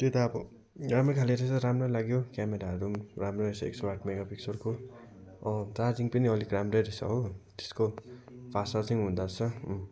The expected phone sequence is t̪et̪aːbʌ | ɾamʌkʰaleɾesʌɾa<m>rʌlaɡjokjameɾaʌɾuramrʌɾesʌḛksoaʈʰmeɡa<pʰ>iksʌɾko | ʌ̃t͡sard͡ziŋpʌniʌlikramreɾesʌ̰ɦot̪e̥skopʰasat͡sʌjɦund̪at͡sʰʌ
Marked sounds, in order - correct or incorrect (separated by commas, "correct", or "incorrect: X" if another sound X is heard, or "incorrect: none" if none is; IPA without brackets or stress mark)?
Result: correct, incorrect: p